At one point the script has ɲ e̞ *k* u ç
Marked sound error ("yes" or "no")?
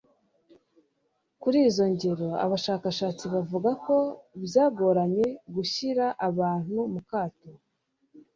yes